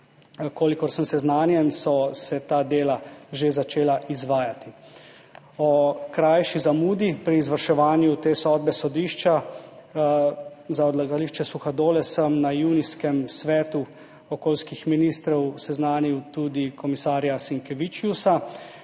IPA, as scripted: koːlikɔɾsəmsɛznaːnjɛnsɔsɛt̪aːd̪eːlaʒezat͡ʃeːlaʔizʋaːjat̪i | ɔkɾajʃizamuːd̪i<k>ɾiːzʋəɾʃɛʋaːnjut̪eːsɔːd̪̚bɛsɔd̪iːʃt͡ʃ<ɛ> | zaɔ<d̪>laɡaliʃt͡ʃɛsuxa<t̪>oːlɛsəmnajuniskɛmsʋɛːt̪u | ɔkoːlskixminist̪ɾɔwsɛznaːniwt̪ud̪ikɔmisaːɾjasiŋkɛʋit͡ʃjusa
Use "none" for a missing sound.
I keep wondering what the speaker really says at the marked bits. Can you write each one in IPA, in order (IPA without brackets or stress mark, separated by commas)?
p, a, d̪, d̪